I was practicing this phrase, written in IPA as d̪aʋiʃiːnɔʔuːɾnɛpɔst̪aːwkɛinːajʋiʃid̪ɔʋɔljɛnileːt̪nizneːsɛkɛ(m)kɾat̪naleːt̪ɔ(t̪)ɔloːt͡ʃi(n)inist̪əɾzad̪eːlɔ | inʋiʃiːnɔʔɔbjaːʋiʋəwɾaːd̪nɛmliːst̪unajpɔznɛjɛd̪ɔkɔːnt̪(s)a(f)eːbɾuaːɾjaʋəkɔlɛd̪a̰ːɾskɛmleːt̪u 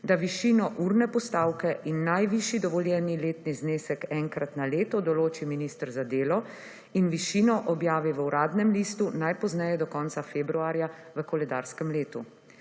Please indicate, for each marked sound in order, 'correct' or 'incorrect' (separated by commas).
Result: incorrect, incorrect, incorrect, correct, correct